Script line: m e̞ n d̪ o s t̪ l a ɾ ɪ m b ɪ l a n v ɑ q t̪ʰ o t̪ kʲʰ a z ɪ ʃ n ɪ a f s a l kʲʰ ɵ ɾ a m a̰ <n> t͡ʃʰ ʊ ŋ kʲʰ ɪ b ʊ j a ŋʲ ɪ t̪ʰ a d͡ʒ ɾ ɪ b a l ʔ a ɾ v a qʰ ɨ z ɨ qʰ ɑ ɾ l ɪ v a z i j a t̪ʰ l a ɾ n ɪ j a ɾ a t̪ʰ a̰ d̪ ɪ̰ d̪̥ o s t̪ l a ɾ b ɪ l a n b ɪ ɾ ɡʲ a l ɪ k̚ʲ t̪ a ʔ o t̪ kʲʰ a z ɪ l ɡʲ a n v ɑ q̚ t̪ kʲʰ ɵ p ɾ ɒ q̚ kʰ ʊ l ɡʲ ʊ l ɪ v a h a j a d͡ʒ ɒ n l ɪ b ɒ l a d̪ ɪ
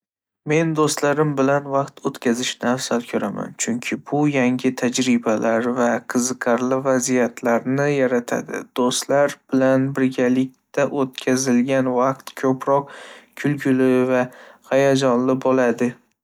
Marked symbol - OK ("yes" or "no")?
yes